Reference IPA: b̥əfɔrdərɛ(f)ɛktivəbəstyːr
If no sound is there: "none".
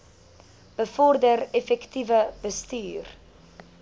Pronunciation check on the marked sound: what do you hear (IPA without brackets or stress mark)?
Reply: f